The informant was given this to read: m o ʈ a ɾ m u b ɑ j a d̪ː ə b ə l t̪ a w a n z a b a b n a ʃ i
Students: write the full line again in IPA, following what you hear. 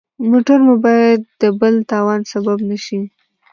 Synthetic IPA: m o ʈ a ɾ m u b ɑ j a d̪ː ə b ə l t̪ ɑ w ɑ n s a b a b n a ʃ i